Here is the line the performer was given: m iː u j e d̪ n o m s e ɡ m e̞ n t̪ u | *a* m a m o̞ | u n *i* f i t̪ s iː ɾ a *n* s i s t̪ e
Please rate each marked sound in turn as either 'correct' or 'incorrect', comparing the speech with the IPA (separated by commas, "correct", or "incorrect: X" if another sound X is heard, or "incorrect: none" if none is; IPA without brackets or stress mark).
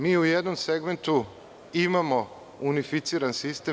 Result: incorrect: i, correct, correct